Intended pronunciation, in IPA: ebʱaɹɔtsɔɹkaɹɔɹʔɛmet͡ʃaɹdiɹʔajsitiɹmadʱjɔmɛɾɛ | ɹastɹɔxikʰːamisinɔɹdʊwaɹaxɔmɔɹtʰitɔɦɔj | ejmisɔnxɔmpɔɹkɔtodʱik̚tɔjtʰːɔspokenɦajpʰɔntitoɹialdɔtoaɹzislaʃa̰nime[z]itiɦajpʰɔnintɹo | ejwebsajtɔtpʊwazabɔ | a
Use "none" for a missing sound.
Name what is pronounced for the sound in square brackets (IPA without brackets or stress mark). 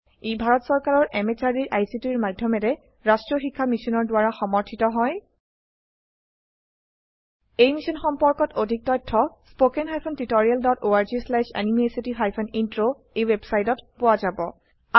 s